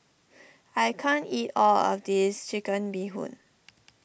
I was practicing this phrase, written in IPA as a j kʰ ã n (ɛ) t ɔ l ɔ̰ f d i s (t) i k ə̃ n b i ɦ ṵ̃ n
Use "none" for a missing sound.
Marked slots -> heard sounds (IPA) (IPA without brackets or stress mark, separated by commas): i, t͡ʃ